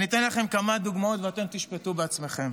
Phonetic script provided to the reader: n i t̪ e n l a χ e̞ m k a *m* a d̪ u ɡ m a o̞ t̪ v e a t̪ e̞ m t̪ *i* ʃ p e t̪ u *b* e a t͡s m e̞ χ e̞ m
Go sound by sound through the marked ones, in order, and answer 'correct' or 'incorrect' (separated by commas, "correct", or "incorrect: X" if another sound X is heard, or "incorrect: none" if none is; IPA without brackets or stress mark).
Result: correct, correct, correct